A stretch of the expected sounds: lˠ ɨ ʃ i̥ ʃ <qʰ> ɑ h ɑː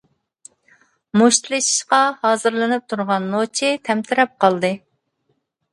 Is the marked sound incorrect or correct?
incorrect